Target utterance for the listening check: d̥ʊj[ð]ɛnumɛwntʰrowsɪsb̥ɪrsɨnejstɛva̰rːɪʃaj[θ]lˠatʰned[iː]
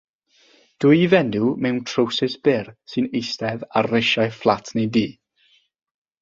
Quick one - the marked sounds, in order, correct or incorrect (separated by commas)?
incorrect, incorrect, correct